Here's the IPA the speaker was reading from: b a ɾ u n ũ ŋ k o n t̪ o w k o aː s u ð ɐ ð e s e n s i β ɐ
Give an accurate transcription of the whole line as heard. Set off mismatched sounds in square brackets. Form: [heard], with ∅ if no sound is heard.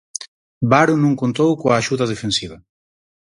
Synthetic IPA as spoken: b a ɾ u n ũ ŋ k o n t̪ o w k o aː [ʃ] u ð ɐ ð e [f] e n s i β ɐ